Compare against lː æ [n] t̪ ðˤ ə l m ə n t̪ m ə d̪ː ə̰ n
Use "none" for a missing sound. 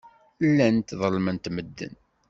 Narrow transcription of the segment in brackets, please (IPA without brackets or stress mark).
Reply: n